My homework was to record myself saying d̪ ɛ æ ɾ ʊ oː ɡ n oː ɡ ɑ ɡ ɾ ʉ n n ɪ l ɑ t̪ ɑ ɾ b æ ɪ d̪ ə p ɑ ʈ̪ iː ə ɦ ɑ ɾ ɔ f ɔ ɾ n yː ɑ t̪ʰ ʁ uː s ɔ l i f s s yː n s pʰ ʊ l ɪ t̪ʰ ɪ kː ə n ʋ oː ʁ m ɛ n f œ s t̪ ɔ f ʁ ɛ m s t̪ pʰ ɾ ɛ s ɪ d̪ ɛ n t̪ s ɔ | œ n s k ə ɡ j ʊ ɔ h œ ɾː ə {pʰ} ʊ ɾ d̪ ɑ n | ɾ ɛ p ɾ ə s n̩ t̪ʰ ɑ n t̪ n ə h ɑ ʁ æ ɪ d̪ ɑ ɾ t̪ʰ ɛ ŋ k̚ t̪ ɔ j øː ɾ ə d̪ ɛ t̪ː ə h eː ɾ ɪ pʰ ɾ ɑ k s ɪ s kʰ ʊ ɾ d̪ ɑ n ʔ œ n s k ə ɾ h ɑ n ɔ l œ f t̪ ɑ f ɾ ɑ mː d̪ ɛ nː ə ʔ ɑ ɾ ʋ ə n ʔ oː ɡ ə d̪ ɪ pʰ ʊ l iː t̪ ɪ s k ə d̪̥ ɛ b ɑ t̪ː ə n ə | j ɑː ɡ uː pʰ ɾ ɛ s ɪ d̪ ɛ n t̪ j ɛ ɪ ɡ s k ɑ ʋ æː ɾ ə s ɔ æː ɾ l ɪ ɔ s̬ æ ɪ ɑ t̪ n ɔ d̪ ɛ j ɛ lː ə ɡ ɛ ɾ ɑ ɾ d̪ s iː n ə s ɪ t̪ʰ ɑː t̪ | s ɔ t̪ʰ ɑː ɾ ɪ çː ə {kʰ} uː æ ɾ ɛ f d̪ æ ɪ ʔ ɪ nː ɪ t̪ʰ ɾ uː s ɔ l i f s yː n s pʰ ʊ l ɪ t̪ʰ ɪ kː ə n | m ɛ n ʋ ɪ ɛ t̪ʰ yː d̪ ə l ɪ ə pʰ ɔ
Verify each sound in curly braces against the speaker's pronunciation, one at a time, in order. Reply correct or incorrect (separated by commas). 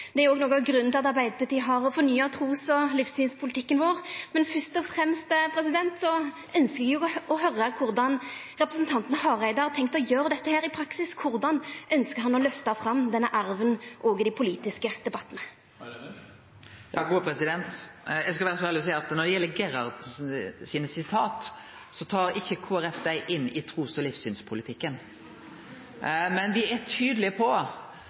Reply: incorrect, correct